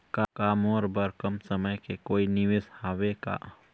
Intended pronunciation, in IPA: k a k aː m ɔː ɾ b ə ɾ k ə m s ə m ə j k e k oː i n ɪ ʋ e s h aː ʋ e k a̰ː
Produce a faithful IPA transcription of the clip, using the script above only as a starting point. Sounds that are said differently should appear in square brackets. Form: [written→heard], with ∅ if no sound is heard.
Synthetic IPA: k a k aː m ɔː ɾ b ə ɾ k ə m s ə m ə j k e k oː i n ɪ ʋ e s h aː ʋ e k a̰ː